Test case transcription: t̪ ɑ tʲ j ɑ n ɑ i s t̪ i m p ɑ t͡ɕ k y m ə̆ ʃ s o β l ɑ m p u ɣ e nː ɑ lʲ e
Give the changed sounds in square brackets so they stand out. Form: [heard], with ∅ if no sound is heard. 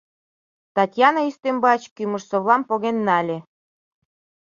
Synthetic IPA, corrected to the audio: t̪ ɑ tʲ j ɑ n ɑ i s t̪ [e] m [b] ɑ t͡ɕ k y m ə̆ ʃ s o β l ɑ m p [o] ɣ e nː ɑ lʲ e